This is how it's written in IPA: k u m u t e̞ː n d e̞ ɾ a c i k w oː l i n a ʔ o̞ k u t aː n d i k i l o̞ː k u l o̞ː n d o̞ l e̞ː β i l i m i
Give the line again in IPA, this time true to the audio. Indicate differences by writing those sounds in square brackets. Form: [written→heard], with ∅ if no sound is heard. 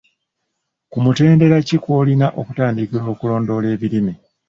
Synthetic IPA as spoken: k u m u t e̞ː n d e̞ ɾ a c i k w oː l i n a ʔ o̞ k u t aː n d i k i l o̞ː k u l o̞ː n d o̞ l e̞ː β i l i m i